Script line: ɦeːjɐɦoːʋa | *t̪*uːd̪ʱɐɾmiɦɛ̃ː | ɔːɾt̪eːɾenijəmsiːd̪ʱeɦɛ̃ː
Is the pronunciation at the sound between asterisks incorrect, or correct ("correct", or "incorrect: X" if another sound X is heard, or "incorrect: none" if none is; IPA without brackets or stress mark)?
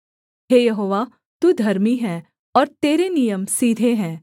correct